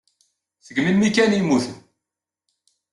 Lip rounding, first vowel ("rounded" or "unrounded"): unrounded